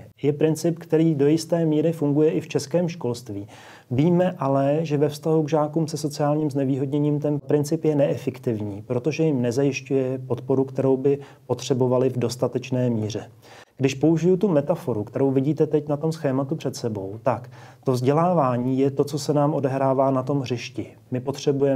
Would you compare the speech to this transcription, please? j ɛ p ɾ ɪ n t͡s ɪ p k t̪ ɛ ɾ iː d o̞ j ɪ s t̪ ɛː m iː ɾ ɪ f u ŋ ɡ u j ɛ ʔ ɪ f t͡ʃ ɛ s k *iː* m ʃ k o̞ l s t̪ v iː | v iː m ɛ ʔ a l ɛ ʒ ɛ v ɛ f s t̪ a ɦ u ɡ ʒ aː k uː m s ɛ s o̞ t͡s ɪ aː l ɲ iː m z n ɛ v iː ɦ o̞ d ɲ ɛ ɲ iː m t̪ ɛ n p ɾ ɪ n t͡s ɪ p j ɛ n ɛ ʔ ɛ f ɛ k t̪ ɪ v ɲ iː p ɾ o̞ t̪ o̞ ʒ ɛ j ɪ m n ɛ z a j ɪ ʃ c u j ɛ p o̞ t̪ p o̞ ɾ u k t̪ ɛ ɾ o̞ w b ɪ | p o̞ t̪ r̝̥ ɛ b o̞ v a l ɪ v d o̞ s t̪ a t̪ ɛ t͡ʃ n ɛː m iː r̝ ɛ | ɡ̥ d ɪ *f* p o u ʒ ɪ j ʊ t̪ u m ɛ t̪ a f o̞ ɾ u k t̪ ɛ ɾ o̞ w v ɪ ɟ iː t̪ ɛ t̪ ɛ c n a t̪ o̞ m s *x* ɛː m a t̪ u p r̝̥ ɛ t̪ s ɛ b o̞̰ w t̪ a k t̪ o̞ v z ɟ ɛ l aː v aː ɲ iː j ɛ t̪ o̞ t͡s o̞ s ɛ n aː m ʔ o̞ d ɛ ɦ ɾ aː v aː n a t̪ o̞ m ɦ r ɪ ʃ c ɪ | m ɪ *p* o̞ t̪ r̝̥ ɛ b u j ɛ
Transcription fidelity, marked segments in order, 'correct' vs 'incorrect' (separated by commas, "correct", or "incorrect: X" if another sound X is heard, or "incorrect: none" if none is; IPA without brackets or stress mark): incorrect: ɛː, incorrect: ʃ, correct, correct